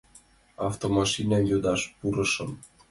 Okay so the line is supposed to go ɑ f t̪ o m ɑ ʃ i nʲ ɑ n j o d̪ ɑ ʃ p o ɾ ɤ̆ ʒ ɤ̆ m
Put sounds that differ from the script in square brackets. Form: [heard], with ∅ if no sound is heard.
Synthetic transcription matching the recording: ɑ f t̪ o m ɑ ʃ i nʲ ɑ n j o d̪ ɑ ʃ p [u] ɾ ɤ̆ [ʃ] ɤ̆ m